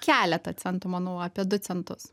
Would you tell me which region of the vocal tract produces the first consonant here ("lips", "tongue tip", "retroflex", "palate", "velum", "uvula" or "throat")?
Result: velum